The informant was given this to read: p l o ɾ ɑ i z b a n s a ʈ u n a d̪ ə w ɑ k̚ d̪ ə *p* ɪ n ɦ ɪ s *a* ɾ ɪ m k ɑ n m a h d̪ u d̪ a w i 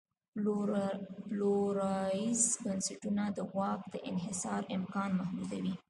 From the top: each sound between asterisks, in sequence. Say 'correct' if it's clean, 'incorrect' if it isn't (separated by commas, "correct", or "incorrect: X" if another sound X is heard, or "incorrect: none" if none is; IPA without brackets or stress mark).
incorrect: ʔ, incorrect: ɑ